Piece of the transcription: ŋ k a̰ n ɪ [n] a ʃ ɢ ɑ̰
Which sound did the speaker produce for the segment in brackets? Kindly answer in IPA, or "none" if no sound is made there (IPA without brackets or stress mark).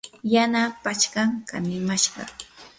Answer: m